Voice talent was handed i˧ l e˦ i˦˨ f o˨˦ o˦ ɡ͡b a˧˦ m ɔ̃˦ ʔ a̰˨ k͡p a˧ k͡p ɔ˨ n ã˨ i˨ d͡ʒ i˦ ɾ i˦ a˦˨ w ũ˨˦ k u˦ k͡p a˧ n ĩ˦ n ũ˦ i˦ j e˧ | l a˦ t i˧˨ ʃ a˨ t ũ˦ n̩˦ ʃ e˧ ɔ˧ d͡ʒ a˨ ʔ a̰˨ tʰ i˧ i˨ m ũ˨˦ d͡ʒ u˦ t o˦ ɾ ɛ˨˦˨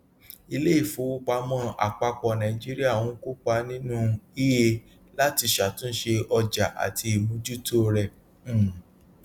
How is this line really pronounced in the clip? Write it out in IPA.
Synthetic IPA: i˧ l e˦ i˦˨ f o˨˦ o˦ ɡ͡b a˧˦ m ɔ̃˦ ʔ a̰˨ k͡p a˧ k͡p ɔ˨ n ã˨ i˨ d͡ʒ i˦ ɾ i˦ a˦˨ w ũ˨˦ k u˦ k͡p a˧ n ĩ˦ n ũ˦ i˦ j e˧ | l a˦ t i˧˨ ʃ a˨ t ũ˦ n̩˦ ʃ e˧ ɔ˧ d͡ʒ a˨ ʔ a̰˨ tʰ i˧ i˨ m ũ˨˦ d͡ʒ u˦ t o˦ ɾ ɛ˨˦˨